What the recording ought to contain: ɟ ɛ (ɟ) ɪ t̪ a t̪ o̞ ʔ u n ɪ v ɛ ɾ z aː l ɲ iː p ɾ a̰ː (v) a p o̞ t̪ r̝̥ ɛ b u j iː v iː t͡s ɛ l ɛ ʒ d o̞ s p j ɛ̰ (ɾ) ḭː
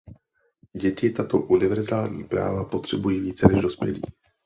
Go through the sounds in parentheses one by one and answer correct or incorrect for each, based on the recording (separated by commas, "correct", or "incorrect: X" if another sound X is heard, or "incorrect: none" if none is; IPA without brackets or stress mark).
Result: incorrect: c, correct, incorrect: l